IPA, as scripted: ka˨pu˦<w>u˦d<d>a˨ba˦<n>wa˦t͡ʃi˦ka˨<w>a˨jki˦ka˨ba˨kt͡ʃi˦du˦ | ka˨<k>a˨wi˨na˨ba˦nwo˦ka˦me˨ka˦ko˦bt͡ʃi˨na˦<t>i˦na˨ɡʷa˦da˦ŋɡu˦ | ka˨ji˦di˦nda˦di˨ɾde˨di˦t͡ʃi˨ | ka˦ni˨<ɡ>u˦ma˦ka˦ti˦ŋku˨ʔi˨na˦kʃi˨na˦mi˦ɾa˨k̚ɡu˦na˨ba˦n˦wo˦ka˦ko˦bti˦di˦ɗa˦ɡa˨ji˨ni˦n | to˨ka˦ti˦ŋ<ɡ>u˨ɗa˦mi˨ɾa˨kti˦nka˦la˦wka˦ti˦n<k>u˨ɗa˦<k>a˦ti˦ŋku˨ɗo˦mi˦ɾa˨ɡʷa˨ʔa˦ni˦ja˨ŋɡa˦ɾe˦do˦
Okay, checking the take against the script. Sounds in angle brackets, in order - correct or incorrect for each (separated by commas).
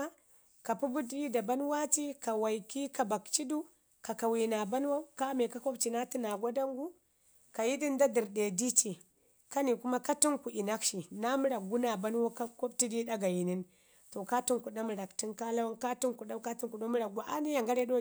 incorrect, correct, correct, correct, correct, correct, incorrect, incorrect, correct, correct